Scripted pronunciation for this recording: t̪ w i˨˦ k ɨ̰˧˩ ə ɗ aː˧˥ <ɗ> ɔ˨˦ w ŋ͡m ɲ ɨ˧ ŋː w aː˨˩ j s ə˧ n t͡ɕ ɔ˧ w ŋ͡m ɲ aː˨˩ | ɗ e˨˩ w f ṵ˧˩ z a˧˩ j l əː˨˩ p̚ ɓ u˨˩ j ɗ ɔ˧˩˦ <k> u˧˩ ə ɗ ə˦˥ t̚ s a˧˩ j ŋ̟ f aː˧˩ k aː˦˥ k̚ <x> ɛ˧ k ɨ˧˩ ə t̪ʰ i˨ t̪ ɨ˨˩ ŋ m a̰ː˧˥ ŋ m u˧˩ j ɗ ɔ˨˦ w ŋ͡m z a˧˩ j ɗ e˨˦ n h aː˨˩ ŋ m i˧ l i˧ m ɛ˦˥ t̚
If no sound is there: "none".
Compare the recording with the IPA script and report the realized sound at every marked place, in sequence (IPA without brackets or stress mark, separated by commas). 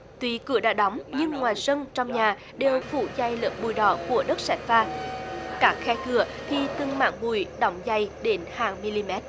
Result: ɗ, k, x